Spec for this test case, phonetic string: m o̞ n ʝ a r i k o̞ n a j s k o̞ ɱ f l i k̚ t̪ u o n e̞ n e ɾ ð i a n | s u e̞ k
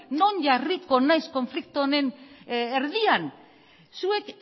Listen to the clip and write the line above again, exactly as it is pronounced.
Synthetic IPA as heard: n o̞ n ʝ a r i k o̞ n a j s k o̞ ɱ f l i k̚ t̪ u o n e̞ n e ɾ ð i a n | s u e̞ k